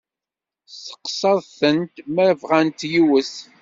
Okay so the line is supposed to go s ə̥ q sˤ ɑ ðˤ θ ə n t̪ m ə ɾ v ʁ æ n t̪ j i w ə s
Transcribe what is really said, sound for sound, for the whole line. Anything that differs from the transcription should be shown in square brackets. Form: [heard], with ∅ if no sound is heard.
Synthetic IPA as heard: s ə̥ q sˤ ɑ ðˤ θ ə n t̪ m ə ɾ v ʁ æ n t̪ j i w ə s